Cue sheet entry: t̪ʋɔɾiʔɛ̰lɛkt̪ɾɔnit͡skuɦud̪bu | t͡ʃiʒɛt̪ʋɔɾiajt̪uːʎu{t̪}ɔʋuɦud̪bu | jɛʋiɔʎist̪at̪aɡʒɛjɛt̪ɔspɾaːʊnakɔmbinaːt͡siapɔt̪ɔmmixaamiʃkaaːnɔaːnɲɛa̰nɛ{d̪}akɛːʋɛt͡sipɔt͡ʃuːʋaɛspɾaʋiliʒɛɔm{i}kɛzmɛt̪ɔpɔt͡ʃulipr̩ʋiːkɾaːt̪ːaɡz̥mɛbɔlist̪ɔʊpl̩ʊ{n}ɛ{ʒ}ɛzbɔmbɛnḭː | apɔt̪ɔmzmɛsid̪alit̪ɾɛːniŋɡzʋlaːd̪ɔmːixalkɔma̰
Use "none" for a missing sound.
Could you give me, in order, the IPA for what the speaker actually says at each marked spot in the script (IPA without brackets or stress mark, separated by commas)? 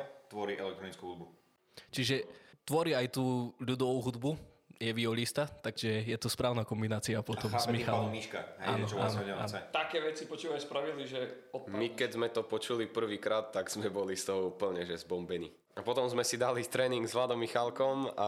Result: d̪, t̪, i, ɲ, ʒ